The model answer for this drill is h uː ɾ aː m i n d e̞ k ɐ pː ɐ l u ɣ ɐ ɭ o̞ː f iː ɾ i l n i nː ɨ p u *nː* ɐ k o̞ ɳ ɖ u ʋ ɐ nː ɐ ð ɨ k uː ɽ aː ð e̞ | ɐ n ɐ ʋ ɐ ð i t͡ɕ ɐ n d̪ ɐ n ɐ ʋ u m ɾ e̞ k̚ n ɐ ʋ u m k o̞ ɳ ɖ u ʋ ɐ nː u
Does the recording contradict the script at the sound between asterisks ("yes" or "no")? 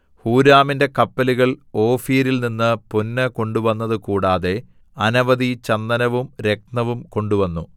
no